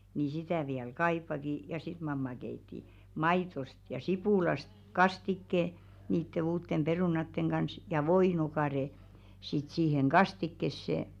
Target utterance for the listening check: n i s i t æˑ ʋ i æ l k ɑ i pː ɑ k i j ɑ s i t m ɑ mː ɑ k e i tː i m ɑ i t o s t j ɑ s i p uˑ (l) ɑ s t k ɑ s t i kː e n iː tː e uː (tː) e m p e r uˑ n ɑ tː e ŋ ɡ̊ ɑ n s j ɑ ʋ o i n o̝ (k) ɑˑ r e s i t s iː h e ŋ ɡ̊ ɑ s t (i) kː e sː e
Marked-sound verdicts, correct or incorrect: correct, correct, correct, correct

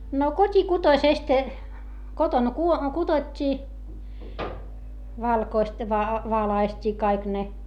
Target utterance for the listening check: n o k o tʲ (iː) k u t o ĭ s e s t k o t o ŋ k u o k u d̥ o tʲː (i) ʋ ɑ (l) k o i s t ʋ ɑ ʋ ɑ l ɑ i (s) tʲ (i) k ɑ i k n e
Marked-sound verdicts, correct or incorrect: incorrect: i, incorrect: iː, correct, correct, incorrect: iː

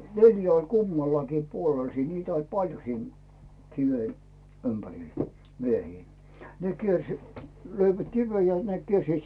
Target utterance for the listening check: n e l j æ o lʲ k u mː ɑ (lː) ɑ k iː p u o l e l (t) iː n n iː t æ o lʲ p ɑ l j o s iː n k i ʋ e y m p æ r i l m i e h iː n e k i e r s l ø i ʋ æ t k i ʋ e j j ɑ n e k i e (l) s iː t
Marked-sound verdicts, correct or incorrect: correct, incorrect: s, incorrect: r

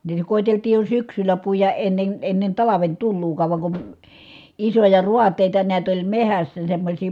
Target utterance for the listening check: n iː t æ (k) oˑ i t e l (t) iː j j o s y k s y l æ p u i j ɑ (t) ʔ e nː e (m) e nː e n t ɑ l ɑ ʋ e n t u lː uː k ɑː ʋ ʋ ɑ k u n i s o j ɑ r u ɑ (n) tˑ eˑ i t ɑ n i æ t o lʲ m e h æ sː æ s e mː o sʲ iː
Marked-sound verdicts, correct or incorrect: correct, correct, incorrect: ʔ, incorrect: n, incorrect: none

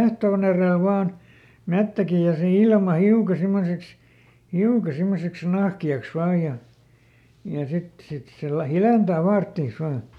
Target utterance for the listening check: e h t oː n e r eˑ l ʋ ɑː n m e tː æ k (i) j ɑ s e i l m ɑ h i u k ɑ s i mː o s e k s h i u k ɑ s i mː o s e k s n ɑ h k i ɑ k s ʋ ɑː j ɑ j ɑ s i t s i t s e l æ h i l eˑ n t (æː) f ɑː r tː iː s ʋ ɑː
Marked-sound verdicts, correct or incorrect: correct, correct

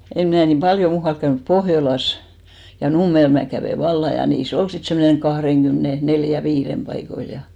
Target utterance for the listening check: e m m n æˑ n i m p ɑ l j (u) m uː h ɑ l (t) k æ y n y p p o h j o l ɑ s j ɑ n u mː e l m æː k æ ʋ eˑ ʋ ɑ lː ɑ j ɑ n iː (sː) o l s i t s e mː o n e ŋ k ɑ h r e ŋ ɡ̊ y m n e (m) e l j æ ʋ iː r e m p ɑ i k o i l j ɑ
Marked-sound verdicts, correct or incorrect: incorrect: o, incorrect: k, incorrect: s, incorrect: n

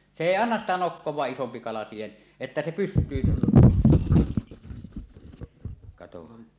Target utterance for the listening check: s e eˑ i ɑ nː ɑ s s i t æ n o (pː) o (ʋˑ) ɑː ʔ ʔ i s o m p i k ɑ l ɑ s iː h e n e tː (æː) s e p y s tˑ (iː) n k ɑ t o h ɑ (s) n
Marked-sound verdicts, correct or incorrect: incorrect: kː, incorrect: wˑ, incorrect: æ, incorrect: yː, incorrect: none

